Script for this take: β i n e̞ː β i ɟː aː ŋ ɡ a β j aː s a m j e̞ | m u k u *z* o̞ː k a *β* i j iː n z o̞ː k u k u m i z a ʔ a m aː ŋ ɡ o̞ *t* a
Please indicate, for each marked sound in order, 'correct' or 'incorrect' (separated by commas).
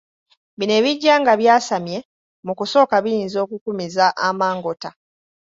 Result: incorrect, correct, correct